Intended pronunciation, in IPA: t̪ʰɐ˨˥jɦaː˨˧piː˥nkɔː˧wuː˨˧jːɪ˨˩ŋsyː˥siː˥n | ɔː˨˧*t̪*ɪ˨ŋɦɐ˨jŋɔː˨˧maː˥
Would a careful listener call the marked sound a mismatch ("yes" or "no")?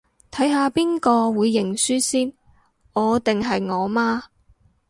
no